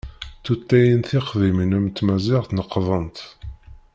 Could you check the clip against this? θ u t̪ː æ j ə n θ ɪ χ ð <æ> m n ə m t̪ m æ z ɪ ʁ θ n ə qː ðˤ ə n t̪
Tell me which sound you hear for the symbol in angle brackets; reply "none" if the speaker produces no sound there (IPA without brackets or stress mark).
i